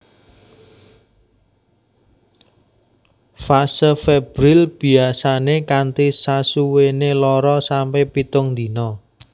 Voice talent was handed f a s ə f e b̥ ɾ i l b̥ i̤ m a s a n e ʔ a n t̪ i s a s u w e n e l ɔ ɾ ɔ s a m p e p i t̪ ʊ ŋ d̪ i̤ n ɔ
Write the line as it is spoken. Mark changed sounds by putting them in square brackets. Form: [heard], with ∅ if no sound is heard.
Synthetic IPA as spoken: f a s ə f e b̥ ɾ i l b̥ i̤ [∅] a s a n e [k] a n t̪ i s a s u w e n e l ɔ ɾ ɔ s a m p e p i t̪ ʊ ŋ d̪ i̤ n ɔ